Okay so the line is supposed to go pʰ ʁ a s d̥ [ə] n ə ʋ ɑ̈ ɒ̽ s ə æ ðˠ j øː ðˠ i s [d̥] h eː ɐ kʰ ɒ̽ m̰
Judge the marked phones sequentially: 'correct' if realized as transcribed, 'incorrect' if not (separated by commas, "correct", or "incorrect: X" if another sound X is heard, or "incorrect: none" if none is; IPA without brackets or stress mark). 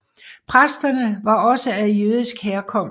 incorrect: ɐ, incorrect: ɡ̥